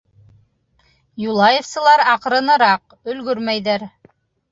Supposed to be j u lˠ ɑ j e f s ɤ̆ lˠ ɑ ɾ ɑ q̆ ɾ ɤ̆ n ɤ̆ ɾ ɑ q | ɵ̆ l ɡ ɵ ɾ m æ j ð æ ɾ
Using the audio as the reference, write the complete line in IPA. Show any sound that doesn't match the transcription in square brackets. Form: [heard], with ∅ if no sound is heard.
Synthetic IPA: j u lˠ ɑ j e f s ɤ̆ lˠ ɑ ɾ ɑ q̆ ɾ ɤ̆ n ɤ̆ ɾ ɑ q | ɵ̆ l ɡ ɵ ɾ m æ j ð æ ɾ